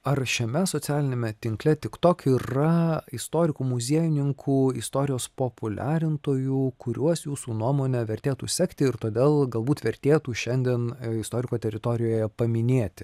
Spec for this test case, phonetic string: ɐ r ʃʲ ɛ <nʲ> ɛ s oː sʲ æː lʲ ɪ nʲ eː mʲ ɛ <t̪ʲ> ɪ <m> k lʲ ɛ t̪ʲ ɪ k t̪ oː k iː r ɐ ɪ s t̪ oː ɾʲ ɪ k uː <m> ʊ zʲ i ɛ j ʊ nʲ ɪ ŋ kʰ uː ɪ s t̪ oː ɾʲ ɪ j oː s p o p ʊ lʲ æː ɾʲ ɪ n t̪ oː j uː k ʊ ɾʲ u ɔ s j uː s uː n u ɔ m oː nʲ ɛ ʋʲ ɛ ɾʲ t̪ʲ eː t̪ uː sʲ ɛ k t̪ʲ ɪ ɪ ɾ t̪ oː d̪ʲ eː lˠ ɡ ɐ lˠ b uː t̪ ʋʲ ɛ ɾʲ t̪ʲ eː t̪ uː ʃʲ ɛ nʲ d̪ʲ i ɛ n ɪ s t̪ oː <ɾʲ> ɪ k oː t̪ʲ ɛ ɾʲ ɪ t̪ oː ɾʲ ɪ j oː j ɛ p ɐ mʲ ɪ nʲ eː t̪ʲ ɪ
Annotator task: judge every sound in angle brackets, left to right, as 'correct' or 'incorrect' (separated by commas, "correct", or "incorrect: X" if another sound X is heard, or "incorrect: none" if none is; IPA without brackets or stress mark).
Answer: incorrect: mʲ, correct, incorrect: ŋ, correct, correct